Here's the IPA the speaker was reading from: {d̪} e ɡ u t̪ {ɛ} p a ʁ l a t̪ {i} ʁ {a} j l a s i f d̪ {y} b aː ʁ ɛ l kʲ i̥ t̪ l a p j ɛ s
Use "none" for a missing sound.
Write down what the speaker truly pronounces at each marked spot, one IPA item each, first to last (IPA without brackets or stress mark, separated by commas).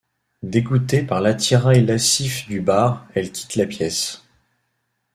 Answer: d̪, e, i, a, y